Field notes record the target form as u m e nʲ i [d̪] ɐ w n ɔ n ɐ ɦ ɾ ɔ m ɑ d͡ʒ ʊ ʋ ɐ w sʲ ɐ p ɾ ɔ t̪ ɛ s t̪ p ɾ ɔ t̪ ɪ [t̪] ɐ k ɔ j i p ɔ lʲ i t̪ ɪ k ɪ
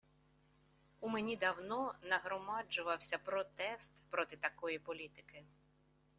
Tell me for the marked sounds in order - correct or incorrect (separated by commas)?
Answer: correct, correct